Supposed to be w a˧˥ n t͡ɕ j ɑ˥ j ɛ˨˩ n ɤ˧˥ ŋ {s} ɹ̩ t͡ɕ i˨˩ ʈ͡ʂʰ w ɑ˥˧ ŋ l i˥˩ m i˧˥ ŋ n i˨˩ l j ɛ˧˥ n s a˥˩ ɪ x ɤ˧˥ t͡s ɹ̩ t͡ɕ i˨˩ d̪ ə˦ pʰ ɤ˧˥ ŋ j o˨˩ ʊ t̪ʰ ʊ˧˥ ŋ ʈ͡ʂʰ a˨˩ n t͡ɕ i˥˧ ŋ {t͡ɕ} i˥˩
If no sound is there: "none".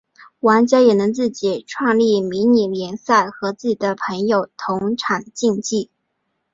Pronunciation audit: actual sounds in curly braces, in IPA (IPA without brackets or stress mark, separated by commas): t͡s, t͡ɕ